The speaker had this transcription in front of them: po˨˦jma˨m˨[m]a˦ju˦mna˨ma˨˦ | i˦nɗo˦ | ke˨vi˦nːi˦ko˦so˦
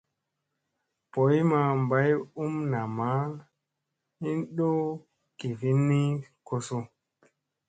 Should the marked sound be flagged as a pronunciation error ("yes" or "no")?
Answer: yes